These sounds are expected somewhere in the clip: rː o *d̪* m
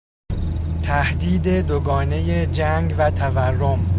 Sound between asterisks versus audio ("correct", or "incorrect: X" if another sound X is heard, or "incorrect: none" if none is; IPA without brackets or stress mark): incorrect: none